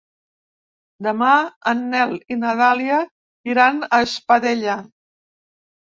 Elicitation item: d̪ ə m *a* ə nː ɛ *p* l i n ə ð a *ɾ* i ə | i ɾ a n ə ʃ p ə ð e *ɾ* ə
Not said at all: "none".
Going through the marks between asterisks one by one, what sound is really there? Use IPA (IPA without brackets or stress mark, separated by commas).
a, none, l, ʎ